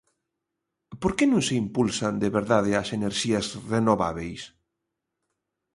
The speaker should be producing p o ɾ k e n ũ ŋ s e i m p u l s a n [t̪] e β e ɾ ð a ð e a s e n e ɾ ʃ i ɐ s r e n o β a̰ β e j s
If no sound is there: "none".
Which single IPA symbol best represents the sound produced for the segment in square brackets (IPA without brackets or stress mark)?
d̪